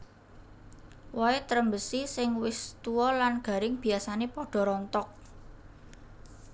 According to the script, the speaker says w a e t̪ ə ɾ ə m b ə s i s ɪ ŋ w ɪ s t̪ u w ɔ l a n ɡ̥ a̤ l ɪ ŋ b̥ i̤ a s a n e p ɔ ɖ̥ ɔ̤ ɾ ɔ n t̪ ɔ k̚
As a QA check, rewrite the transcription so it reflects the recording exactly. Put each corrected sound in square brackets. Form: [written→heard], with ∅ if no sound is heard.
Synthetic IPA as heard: w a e t̪ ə ɾ ə m b ə s i s ɪ ŋ w ɪ s t̪ u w ɔ l a n ɡ̥ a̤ [l→ɾ] ɪ ŋ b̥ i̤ a s a n e p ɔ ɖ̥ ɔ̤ ɾ ɔ n t̪ ɔ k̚